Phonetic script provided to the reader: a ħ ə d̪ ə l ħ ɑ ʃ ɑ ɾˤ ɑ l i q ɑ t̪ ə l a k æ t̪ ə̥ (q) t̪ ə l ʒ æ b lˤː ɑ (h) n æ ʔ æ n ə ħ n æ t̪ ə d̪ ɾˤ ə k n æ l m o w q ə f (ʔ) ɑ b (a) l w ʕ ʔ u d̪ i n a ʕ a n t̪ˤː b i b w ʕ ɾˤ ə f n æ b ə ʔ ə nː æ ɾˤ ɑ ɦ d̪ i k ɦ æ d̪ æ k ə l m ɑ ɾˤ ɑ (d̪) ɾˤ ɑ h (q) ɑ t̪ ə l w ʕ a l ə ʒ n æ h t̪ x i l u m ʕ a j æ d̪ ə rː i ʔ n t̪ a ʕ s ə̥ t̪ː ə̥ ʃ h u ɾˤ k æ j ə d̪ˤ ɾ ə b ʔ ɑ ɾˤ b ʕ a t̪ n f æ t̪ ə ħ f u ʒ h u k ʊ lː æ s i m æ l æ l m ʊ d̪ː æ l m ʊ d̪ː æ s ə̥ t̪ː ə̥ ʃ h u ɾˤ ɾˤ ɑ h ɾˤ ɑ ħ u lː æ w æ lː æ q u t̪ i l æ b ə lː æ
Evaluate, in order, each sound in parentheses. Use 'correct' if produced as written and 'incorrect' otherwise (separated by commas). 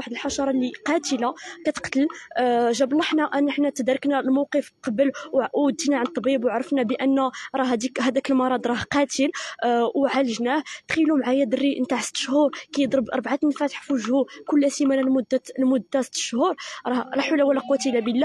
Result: correct, incorrect, incorrect, incorrect, correct, correct